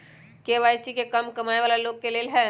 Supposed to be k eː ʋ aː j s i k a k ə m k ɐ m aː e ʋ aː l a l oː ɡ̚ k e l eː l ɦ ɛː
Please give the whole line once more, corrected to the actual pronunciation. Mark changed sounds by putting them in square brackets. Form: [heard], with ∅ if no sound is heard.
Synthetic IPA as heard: k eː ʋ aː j s i k [e] k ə m k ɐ m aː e ʋ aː l a l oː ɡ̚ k e l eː l ɦ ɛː

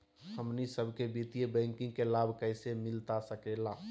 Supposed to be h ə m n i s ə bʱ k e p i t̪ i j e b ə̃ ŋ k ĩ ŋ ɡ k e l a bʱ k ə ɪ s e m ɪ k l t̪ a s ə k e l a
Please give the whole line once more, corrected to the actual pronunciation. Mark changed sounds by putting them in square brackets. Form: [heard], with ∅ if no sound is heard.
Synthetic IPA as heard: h ə m n i s ə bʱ k e [b] i t̪ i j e b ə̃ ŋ k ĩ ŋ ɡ k e l a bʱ k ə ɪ s e m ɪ [∅] l t̪ a s ə k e l a

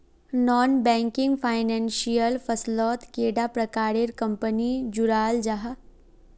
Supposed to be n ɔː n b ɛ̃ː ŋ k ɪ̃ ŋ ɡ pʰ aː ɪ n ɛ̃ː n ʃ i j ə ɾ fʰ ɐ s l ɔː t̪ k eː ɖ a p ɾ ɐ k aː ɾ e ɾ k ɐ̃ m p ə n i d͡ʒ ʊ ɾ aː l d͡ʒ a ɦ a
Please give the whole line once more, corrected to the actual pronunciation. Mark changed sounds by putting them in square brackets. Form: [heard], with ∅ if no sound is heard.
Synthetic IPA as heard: n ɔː n b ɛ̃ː ŋ k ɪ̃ ŋ ɡ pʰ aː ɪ n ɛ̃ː n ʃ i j ə [l] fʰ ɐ s l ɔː t̪ k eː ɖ a p ɾ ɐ k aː ɾ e ɾ k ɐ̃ m p ə n i d͡ʒ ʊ ɾ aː l d͡ʒ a ɦ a

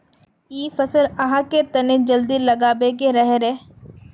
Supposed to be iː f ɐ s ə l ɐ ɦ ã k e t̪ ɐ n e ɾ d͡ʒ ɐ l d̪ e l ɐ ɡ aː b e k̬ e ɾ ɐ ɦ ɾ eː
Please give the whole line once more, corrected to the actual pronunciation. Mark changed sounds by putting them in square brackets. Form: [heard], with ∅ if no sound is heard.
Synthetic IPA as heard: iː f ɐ s ə l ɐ ɦ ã k e t̪ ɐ n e [∅] d͡ʒ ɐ l d̪ [i] l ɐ ɡ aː b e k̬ e ɾ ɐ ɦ ɾ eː

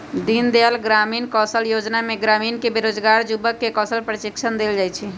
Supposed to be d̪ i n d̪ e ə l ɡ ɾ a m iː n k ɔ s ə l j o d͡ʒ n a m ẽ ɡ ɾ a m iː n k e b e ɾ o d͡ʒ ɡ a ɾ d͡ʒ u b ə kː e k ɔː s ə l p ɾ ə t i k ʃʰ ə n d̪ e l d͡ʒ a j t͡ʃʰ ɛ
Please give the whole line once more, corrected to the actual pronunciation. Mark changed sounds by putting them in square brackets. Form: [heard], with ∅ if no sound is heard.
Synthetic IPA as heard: d̪ i n d̪ e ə l ɡ ɾ a m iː n k ɔ s ə l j o d͡ʒ n a m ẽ ɡ ɾ a m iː n k e b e ɾ o d͡ʒ ɡ a ɾ d͡ʒ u b ə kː e k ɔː s ə l p ɾ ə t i k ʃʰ ə n d̪ e l d͡ʒ a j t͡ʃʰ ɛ

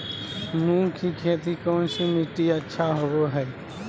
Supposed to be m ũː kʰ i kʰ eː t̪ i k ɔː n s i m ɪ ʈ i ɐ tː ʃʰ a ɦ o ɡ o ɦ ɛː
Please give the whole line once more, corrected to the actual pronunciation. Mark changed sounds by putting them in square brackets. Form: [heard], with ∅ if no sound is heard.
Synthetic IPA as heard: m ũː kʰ i kʰ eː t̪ i k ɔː n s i m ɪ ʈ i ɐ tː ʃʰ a ɦ o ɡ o ɦ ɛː

